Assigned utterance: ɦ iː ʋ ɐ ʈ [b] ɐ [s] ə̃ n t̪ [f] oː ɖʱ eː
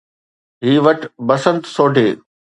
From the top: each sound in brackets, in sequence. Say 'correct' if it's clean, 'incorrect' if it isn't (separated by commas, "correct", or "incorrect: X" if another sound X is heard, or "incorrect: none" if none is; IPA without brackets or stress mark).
correct, correct, incorrect: s